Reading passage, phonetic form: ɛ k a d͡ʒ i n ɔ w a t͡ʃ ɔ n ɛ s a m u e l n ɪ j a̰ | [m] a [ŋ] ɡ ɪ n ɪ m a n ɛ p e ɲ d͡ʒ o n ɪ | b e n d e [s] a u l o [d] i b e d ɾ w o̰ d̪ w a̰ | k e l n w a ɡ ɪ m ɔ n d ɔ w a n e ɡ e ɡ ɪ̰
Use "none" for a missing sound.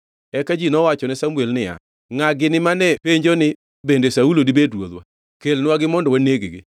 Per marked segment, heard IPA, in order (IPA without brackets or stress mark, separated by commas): ŋ, none, s, d